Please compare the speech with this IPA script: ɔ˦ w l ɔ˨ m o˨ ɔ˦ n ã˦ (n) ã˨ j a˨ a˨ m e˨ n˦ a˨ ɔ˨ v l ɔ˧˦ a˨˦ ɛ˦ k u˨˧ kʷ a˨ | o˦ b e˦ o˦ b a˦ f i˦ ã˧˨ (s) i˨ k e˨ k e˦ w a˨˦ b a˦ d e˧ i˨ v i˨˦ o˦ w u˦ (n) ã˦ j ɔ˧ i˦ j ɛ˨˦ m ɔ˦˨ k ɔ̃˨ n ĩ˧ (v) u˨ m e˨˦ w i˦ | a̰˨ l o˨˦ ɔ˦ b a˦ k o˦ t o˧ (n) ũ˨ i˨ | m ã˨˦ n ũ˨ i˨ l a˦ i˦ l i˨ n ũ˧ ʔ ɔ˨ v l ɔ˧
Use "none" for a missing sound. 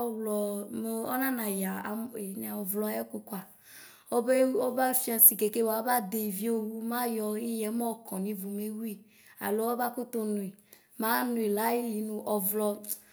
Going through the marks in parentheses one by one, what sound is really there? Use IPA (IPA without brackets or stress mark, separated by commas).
n, s, m, v, n